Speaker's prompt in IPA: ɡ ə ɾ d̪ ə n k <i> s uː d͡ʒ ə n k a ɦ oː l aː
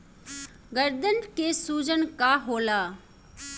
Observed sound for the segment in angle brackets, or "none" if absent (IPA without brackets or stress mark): e